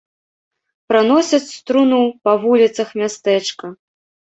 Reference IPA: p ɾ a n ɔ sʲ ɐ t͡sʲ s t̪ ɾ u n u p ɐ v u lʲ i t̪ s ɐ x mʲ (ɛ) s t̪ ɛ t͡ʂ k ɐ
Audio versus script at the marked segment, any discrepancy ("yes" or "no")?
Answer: yes